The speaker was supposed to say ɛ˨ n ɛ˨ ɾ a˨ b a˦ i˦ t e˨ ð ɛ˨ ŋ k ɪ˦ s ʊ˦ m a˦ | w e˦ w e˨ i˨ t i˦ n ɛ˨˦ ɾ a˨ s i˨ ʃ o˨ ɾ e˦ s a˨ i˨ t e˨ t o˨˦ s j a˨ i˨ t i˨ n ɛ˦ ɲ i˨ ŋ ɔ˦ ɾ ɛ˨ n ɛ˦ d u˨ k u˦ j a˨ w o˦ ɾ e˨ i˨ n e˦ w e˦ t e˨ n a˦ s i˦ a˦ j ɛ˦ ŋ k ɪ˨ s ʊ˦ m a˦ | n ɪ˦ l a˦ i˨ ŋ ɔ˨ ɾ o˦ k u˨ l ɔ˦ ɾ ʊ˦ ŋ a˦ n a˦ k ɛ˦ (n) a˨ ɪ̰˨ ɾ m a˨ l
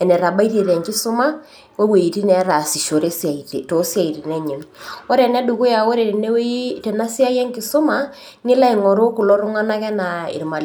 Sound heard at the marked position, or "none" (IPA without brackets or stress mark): n